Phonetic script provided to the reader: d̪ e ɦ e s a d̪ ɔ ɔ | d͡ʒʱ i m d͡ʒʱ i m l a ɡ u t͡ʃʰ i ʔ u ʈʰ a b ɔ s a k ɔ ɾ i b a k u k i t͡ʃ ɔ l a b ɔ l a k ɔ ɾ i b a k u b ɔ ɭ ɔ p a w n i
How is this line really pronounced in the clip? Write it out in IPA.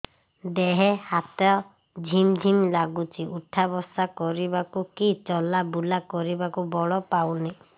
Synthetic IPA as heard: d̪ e ɦ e h a t̪ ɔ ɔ | d͡ʒʱ i m d͡ʒʱ i m l a ɡ u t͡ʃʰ i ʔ u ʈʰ a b ɔ s a k ɔ ɾ i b a k u k i t͡ʃ ɔ l a b u l a k ɔ ɾ i b a k u b ɔ ɭ ɔ p a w n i